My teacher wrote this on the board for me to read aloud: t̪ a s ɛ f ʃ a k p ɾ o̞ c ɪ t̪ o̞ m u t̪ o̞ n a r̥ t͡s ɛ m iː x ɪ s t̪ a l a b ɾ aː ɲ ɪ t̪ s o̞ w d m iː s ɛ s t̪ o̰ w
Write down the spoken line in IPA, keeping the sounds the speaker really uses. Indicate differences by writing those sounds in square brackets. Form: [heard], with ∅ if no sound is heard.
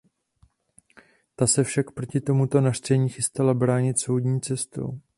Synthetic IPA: t̪ a s ɛ f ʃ a k p ɾ o̞ c ɪ t̪ o̞ m u t̪ o̞ n a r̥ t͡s ɛ [ɲ] iː x ɪ s t̪ a l a b ɾ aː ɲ ɪ t̪ s o̞ w d [ɲ] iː [t͡s] ɛ s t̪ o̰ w